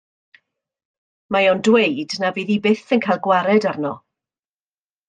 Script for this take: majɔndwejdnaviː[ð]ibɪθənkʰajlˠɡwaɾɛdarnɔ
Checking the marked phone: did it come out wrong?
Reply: no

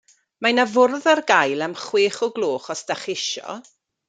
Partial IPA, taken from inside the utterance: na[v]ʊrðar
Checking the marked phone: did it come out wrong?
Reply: no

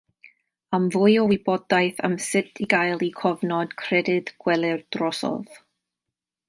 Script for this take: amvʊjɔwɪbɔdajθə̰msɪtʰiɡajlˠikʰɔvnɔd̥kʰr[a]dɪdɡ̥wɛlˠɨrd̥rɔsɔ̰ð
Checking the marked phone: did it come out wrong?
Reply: yes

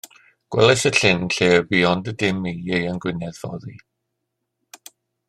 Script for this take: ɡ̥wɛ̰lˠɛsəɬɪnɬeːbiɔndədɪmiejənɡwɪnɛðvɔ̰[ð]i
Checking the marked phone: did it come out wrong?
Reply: no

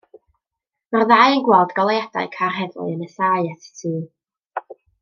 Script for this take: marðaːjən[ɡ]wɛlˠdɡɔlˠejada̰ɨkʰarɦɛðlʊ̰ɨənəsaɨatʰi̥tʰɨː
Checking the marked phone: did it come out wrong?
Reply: no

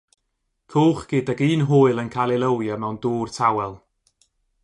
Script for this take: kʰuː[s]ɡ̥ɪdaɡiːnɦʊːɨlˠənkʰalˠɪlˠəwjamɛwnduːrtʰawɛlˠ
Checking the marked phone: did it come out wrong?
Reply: yes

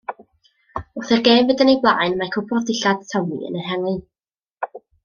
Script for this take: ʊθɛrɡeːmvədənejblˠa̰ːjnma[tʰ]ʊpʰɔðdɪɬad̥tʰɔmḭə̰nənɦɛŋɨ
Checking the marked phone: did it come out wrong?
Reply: yes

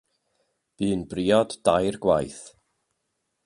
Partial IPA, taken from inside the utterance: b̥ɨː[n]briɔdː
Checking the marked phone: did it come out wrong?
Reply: no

